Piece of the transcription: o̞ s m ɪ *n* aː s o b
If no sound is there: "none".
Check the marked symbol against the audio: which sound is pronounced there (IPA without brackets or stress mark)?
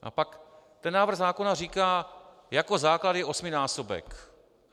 n